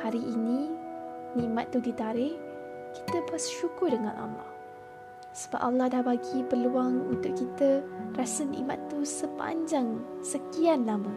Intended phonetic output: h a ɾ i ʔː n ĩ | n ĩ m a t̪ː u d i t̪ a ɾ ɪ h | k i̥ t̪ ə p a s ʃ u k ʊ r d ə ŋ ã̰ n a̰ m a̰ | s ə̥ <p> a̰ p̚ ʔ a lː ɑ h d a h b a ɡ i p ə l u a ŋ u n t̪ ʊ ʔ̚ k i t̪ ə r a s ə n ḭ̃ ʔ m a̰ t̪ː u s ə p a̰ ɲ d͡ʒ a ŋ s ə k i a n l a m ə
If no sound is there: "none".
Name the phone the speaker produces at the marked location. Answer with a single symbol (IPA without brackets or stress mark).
b